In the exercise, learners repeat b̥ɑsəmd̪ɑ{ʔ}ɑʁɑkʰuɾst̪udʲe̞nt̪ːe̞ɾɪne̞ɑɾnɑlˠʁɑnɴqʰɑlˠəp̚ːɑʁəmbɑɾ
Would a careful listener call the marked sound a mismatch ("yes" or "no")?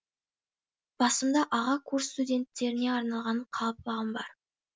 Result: no